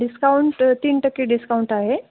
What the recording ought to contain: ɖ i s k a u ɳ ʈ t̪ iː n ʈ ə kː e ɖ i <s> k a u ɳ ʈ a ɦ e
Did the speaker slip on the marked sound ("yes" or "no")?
no